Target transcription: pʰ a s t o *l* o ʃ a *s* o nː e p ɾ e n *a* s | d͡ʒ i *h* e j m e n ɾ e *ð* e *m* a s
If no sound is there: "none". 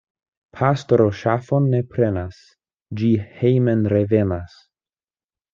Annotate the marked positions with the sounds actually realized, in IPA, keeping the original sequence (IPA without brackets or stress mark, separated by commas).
ɾ, f, a, h, v, n